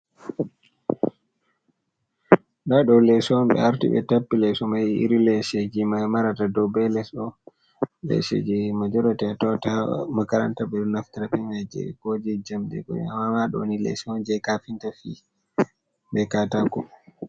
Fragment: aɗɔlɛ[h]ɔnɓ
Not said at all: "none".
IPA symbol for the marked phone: s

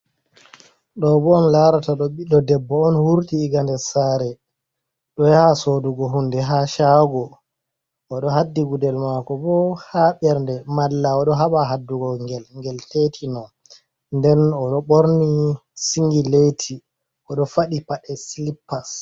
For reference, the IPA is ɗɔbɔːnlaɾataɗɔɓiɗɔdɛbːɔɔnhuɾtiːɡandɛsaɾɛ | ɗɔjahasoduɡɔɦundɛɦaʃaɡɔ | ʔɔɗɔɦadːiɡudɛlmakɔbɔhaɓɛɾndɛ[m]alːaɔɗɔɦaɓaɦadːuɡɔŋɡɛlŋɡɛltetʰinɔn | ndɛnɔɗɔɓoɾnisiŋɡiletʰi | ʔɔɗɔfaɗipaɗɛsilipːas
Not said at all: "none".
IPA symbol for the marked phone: m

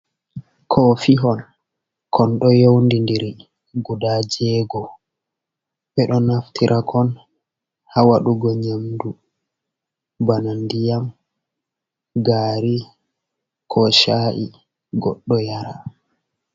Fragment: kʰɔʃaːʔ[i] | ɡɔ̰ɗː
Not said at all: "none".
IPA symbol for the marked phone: i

